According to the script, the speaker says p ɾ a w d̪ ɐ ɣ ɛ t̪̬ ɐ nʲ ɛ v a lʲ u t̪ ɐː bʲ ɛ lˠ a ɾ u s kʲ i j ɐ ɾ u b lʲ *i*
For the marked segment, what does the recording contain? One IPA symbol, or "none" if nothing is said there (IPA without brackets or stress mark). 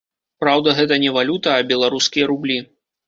i